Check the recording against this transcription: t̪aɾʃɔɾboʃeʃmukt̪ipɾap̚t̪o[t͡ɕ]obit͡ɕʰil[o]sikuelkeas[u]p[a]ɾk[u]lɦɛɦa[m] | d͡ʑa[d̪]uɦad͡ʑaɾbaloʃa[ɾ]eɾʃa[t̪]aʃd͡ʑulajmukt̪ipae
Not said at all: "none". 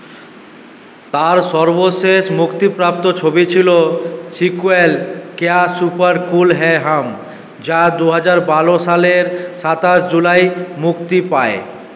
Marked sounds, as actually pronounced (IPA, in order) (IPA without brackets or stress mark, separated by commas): t͡ɕʰ, o, u, a, u, m, d̪, l, t̪